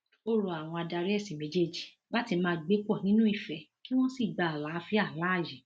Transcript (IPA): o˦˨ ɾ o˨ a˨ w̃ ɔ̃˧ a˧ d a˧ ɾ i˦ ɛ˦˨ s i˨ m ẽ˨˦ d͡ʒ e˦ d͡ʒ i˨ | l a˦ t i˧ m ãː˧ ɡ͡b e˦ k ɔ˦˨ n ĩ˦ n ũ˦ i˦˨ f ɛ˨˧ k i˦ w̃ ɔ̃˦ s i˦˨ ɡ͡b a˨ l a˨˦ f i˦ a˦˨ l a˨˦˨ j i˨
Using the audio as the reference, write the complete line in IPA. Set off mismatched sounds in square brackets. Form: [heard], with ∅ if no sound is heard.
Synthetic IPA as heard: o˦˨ ɾ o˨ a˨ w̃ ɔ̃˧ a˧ d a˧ ɾ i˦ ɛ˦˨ s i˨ m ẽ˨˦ d͡ʒ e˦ d͡ʒ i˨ | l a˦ t i˧ m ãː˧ ɡ͡b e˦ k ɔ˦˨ n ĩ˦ n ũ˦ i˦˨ f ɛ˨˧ k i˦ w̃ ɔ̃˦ s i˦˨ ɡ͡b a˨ l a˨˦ f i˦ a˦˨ l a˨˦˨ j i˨

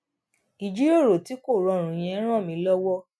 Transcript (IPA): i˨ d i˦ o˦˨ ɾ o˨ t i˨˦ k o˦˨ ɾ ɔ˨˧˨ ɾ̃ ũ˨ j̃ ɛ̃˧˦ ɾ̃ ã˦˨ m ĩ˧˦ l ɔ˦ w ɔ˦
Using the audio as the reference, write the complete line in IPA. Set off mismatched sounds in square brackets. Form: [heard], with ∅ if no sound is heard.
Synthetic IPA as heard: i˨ [d͡ʒ] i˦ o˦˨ ɾ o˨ t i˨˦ k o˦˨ ɾ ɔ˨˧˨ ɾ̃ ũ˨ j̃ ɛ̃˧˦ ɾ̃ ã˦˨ m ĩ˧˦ l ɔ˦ w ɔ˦

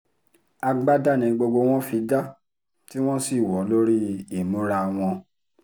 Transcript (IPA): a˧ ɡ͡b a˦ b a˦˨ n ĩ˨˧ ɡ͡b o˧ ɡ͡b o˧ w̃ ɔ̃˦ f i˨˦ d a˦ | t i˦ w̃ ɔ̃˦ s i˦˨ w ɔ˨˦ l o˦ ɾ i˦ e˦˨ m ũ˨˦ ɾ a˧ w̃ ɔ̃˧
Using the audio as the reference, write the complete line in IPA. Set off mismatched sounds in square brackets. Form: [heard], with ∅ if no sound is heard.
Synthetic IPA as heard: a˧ ɡ͡b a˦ [d] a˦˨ n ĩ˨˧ ɡ͡b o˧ ɡ͡b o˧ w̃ ɔ̃˦ f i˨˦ d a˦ | t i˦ w̃ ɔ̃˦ s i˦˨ w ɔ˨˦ l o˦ ɾ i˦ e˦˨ m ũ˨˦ ɾ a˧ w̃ ɔ̃˧

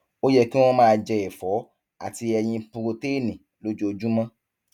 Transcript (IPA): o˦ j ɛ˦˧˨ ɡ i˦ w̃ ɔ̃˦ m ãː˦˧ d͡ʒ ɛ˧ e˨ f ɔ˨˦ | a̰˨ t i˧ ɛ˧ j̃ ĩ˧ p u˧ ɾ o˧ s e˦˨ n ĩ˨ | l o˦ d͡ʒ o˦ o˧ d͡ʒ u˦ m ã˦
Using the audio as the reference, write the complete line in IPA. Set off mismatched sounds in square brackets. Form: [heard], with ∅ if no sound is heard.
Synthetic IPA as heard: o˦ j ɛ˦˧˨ [k] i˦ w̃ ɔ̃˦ m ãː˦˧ d͡ʒ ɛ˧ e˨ f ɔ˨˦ | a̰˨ t i˧ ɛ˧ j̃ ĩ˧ p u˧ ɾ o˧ [t] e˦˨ n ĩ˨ | l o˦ d͡ʒ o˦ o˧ d͡ʒ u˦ m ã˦

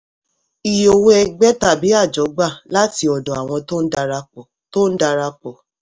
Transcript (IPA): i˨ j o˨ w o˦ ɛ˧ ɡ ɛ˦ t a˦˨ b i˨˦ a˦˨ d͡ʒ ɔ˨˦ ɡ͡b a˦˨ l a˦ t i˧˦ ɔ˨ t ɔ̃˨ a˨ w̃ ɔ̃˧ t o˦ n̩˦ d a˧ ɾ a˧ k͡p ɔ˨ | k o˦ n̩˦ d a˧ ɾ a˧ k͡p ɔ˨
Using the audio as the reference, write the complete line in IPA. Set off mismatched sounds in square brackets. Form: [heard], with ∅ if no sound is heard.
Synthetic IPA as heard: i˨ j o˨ w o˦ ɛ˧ [ɡ͡b] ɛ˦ t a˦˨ b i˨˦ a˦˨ d͡ʒ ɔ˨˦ ɡ͡b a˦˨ l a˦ t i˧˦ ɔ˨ [d] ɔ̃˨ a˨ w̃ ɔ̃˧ t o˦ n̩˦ d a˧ ɾ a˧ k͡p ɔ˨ | [t] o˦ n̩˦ d a˧ ɾ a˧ k͡p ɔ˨

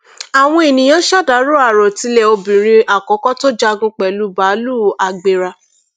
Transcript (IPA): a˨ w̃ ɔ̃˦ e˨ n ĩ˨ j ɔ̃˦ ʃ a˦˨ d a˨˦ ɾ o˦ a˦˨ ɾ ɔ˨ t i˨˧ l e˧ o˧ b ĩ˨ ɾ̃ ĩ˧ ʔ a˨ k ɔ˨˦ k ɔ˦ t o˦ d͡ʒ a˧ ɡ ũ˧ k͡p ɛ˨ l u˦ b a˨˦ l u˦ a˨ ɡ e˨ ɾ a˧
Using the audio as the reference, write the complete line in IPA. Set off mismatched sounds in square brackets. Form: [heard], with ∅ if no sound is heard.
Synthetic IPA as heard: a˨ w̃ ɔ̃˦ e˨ n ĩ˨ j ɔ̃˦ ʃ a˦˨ d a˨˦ ɾ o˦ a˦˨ ɾ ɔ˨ t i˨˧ l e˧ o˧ b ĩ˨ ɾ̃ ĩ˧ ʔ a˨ k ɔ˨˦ k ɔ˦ t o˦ d͡ʒ a˧ ɡ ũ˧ k͡p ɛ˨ l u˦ b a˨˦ l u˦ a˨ [ɡ͡b] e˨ ɾ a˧

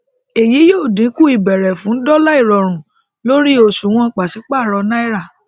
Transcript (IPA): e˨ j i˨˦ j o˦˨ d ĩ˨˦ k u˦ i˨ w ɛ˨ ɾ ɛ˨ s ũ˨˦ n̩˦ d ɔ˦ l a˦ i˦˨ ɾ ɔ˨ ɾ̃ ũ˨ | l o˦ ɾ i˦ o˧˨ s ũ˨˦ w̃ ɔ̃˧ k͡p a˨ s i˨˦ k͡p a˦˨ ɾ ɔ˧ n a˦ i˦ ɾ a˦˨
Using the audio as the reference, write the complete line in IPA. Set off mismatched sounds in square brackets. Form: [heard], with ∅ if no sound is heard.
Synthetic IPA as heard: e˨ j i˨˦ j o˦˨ d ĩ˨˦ k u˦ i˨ [b] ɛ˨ ɾ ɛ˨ [f] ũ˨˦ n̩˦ d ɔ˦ l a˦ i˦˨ ɾ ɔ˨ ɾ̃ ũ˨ | l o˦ ɾ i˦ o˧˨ s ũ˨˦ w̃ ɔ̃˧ k͡p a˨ s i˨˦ k͡p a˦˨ ɾ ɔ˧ n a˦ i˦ ɾ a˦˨

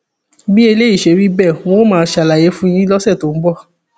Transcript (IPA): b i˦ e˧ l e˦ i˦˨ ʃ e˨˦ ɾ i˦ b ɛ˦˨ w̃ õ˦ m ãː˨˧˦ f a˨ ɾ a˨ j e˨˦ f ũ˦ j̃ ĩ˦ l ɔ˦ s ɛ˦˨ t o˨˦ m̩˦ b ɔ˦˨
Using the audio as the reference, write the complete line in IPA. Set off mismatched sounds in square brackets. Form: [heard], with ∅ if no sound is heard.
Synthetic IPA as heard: b i˦ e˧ l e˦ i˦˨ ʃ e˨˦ ɾ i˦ b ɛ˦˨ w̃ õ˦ m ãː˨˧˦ [ʃ] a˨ [l] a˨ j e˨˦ f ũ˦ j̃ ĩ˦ l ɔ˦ s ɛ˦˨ t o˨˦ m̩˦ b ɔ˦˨

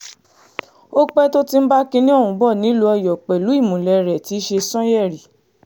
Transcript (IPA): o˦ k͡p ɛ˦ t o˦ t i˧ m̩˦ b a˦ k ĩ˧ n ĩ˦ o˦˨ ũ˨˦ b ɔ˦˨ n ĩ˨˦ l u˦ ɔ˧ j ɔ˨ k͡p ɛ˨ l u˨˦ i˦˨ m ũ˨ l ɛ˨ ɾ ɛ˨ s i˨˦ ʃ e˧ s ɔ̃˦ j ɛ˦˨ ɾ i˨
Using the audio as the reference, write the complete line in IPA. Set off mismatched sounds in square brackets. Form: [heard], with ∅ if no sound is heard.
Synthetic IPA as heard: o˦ k͡p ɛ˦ t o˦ t i˧ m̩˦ b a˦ k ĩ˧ n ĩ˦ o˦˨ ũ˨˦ b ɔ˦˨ n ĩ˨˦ l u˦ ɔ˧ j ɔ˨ k͡p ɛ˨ l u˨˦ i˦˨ m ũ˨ l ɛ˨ ɾ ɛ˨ [t] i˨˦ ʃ e˧ s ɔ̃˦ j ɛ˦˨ ɾ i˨

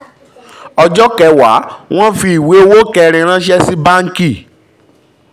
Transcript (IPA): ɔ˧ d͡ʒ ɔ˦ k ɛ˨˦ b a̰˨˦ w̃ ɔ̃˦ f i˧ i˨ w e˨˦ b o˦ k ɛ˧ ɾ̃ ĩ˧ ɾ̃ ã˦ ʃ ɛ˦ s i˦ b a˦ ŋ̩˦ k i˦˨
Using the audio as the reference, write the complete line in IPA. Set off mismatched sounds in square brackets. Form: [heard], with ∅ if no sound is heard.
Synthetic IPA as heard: ɔ˧ d͡ʒ ɔ˦ k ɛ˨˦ [w] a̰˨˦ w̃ ɔ̃˦ f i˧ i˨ w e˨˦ [w] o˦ k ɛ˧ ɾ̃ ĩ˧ ɾ̃ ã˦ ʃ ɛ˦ s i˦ b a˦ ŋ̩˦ k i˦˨

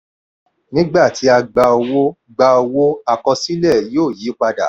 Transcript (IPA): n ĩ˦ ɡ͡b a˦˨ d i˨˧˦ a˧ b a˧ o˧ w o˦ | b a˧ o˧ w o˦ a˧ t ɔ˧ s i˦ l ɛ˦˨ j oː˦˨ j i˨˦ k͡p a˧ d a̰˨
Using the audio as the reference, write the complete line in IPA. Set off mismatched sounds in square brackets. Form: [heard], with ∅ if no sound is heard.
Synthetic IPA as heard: n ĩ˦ ɡ͡b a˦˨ [t] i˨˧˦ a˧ [ɡ͡b] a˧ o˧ w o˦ | [ɡ͡b] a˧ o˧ w o˦ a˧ [k] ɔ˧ s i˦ l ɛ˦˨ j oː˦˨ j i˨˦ k͡p a˧ d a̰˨

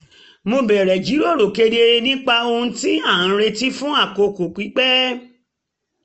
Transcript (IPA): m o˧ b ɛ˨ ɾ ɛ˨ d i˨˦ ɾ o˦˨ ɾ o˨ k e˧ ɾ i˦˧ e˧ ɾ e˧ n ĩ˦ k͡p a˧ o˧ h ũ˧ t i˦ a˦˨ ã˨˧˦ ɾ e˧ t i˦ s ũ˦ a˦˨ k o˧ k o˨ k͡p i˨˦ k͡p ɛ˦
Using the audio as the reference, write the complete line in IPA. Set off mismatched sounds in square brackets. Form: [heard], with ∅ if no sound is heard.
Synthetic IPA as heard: m o˧ b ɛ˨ ɾ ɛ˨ [d͡ʒ] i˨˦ ɾ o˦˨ ɾ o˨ k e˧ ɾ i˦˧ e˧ ɾ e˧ n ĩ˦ k͡p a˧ o˧ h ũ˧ t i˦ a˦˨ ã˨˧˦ ɾ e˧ t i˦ [f] ũ˦ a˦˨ k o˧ k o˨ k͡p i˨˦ k͡p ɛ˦

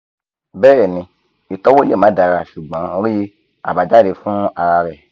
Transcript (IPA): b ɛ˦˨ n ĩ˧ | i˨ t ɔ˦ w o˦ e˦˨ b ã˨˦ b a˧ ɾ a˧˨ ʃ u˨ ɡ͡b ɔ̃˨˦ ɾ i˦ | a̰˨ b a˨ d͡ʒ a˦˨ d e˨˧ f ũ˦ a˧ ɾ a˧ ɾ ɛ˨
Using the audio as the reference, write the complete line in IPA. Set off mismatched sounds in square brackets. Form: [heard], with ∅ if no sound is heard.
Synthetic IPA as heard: b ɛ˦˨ n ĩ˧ | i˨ t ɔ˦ w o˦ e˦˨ [m] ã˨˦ [d] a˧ ɾ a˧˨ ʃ u˨ ɡ͡b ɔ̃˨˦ ɾ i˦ | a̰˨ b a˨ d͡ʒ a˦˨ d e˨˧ f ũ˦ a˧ ɾ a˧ ɾ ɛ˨

